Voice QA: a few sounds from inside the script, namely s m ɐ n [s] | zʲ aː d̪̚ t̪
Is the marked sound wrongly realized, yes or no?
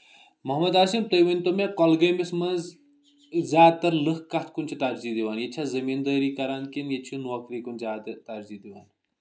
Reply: yes